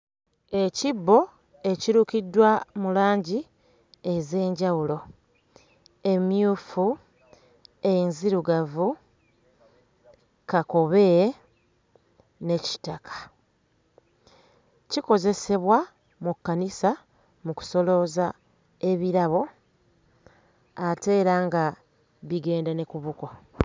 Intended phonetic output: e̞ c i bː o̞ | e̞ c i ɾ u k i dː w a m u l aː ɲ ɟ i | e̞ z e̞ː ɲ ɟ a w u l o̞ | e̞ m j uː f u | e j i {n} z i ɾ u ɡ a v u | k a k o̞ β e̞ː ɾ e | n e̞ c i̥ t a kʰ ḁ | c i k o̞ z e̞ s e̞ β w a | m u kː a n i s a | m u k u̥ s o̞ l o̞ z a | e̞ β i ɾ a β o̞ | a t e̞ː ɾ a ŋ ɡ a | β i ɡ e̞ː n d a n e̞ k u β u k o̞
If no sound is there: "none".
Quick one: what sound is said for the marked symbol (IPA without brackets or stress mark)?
n